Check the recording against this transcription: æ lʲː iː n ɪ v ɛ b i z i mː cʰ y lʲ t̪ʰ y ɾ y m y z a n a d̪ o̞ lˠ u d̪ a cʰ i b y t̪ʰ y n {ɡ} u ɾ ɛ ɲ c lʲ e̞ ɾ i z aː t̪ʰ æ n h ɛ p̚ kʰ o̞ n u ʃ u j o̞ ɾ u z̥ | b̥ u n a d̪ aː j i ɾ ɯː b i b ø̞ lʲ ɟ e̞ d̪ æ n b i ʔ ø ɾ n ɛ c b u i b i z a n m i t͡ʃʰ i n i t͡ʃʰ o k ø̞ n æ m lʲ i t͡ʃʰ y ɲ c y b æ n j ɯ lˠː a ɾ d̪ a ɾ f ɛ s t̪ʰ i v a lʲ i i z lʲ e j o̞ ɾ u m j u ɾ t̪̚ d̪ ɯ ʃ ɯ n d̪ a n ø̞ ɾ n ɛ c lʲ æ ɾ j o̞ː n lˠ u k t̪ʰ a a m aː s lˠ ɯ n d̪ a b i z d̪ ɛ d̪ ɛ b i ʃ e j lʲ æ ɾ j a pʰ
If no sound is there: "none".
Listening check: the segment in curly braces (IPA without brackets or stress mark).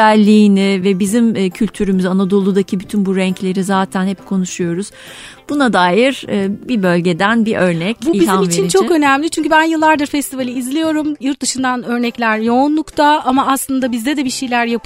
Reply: b